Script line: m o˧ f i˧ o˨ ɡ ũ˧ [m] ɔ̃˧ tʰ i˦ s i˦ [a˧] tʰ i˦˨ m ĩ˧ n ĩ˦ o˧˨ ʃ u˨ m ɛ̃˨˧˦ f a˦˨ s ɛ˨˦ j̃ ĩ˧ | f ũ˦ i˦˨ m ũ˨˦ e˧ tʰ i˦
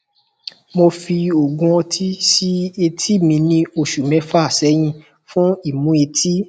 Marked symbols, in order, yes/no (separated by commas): no, no